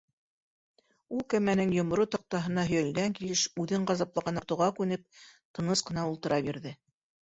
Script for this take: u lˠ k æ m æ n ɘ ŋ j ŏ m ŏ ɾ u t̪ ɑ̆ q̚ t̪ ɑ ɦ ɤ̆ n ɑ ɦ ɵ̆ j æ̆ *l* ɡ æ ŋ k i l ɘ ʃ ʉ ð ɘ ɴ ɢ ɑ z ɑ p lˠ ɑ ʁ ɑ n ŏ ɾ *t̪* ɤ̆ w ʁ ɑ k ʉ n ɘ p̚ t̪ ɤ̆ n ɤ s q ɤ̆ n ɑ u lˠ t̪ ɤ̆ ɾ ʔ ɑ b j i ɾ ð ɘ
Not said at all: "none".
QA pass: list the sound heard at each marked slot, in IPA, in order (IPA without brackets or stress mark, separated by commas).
l, t̪